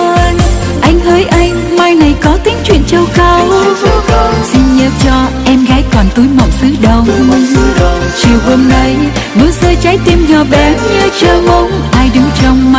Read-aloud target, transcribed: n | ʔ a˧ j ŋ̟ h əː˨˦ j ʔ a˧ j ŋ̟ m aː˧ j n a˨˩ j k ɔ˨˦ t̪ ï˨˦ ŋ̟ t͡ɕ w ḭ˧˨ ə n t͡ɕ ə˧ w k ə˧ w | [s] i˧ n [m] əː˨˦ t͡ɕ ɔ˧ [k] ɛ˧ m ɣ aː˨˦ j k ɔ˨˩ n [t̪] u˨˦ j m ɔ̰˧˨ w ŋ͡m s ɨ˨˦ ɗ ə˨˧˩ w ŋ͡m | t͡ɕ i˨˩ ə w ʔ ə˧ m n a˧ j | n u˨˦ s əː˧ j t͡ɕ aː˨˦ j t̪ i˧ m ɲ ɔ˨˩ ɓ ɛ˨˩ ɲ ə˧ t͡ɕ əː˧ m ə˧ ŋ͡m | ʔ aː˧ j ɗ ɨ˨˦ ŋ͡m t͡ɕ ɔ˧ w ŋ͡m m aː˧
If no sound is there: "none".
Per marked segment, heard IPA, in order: s, ɲ, ʔ, t̪

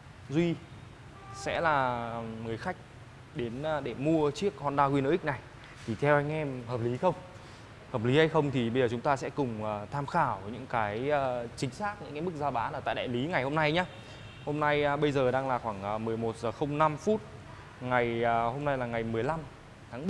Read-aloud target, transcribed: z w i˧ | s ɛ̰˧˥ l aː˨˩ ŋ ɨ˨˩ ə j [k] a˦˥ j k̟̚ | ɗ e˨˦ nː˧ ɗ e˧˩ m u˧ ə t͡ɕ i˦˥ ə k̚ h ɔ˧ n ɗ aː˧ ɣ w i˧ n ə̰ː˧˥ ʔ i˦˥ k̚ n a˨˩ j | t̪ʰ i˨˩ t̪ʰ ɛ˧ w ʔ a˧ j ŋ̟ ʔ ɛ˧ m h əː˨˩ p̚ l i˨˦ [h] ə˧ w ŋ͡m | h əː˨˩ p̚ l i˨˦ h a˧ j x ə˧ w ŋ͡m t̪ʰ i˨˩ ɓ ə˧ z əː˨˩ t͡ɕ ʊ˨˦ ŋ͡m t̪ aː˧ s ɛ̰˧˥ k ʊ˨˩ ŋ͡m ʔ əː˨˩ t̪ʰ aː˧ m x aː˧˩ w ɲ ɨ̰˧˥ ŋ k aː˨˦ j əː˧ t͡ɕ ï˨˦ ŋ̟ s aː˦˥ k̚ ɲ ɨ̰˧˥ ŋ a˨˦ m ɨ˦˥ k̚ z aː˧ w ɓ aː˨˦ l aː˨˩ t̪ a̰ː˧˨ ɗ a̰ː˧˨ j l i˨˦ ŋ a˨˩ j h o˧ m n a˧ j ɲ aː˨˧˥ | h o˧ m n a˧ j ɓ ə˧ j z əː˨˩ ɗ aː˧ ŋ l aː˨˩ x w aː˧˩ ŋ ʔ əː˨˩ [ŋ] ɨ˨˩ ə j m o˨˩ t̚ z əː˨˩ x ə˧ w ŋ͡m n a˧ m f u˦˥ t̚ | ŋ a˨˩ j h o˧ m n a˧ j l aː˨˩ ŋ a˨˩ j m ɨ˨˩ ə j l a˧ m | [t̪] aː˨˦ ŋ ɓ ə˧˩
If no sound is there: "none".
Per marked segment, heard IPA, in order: x, x, m, t̪ʰ

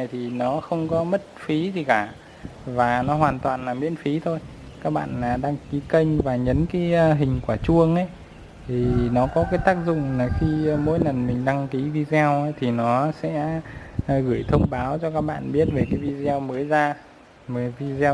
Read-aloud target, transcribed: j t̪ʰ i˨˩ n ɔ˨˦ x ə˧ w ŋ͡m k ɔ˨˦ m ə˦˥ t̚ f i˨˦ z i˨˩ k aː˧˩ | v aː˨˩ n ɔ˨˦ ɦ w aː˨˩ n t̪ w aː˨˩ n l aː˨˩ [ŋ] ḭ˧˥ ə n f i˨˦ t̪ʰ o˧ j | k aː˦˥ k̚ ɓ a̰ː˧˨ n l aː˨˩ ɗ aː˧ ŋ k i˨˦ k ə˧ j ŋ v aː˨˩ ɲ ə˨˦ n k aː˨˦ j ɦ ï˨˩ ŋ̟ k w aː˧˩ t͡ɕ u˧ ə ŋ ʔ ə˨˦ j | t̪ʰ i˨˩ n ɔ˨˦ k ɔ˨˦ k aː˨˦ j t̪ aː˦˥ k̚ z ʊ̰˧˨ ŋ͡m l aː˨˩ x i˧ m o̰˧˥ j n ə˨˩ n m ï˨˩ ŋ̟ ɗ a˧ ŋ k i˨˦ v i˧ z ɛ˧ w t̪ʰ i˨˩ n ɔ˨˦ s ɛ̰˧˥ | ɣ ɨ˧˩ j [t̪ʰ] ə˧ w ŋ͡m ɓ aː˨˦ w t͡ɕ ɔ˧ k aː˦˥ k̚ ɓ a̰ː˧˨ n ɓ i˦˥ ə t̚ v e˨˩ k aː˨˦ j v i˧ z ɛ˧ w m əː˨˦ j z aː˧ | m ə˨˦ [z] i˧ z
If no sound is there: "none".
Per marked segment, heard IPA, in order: m, t̪ʰ, v

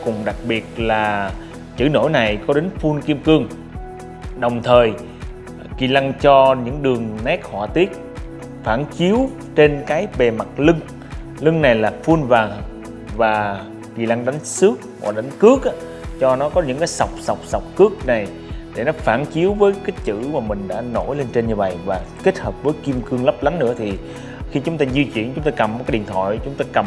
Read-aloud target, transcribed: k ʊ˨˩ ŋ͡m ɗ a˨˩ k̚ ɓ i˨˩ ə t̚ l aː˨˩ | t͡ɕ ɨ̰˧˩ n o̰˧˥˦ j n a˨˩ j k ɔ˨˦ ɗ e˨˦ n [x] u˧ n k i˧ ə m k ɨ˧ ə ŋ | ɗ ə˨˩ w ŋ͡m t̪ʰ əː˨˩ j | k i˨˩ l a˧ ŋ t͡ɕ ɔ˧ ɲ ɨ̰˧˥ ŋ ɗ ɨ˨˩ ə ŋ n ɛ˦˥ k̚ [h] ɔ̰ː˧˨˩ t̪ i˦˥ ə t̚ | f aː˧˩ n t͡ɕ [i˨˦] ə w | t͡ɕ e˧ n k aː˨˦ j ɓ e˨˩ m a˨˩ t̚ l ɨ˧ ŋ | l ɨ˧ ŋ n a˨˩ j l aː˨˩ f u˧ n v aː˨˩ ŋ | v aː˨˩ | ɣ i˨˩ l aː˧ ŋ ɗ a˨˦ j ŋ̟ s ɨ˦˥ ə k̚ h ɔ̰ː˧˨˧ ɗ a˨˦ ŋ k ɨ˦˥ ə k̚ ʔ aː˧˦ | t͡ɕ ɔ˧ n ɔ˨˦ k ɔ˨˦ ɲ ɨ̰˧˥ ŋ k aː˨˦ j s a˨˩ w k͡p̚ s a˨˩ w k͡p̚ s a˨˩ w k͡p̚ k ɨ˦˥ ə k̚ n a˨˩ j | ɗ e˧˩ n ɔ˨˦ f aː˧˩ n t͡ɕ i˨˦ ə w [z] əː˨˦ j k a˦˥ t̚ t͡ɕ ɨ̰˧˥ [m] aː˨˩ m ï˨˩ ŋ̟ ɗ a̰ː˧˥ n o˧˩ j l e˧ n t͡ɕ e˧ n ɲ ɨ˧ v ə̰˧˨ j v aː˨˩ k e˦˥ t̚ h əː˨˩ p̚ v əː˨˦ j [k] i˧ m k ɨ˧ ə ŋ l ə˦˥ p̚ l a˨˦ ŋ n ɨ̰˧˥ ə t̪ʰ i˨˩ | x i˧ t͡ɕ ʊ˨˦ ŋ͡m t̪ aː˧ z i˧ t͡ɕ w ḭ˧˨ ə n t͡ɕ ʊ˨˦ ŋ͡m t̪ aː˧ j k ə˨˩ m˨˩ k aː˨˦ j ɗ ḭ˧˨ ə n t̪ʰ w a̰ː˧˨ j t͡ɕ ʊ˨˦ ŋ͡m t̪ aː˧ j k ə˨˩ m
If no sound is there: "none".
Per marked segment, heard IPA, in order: f, h, i˨˦, v, m, k

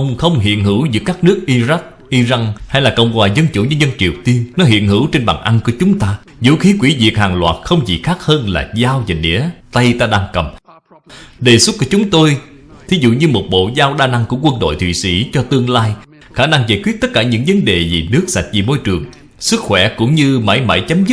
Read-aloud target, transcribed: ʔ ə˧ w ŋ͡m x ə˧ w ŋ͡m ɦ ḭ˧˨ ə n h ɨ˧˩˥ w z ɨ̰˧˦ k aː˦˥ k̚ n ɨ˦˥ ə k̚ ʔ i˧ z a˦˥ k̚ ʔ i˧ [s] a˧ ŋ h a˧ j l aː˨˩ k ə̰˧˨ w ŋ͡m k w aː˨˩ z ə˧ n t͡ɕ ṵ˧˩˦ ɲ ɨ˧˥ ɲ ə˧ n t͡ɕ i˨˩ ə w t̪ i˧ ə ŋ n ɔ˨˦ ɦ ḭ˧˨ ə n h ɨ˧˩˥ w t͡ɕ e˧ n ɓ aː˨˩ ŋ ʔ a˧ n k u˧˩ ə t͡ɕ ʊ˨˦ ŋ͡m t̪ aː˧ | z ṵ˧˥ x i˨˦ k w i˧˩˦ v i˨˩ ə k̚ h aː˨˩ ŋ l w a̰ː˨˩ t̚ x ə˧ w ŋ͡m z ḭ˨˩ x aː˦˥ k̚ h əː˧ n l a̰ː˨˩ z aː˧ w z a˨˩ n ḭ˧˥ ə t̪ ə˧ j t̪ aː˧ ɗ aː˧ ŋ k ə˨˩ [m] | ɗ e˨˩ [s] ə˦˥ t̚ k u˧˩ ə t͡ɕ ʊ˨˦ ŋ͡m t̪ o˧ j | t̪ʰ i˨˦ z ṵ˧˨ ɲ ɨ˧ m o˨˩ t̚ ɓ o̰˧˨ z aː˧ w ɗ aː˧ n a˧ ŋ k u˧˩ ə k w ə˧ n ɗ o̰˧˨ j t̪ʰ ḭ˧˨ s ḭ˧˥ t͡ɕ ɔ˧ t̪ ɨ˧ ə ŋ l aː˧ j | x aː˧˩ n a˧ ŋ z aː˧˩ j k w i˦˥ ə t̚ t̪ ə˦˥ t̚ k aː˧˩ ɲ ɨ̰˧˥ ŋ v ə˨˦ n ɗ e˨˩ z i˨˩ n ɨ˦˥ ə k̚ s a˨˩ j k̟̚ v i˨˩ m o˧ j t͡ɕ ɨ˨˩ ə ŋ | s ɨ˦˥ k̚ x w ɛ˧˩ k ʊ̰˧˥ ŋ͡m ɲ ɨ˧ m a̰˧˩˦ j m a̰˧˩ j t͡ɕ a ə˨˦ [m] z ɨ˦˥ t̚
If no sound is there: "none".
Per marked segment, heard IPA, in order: z, m, s, m

